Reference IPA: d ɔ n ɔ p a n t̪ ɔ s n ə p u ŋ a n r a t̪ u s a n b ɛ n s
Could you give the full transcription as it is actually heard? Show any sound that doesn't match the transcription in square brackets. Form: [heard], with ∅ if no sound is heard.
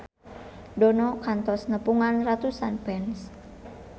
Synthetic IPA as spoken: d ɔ n ɔ [k] a n t̪ ɔ s n ə p u ŋ a n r a t̪ u s a n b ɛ n s